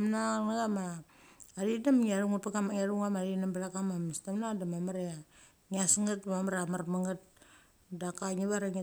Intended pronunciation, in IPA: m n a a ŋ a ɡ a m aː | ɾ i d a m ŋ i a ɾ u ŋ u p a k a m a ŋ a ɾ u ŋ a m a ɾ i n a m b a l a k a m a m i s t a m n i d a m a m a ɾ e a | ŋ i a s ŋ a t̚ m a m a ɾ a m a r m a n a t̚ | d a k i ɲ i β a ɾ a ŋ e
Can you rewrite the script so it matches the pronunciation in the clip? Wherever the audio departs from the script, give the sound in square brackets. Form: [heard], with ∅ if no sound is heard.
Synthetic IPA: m n a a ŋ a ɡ a m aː | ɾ i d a m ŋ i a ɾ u ŋ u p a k a m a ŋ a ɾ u ŋ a m a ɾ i n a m b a l a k a m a m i s t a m n [a] d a m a m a ɾ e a | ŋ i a s ŋ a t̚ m a m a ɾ a m a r m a [ŋ] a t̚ | d a k [a] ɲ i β a ɾ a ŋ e